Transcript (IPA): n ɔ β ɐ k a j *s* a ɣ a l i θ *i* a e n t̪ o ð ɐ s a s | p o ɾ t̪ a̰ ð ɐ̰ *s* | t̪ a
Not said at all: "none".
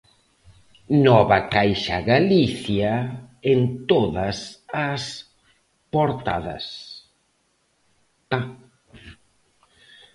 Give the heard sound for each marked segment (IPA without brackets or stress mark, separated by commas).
ʃ, j, s